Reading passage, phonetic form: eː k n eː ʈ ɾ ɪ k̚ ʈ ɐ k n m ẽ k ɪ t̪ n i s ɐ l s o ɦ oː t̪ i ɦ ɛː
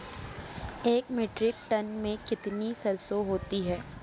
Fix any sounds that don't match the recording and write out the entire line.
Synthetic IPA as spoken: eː k m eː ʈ ɾ ɪ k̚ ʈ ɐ n m ẽ k ɪ t̪ n i s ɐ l s o ɦ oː t̪ i ɦ ɛː